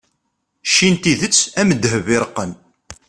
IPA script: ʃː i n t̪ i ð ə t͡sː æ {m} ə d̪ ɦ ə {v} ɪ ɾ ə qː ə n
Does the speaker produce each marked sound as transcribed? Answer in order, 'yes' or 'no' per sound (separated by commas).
yes, yes